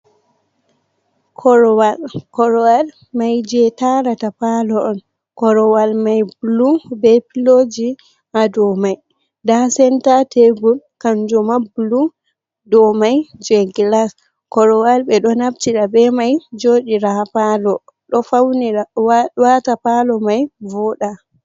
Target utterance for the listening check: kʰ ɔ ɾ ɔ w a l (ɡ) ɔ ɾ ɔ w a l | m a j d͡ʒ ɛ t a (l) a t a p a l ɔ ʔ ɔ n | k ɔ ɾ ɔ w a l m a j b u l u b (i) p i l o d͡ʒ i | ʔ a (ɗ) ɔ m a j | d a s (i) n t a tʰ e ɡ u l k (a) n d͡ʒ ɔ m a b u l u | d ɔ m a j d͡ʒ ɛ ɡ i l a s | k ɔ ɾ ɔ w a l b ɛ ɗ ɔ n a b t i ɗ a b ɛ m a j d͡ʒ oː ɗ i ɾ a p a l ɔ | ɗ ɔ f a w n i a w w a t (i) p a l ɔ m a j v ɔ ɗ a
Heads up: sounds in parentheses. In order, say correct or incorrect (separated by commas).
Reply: incorrect, incorrect, incorrect, incorrect, incorrect, correct, incorrect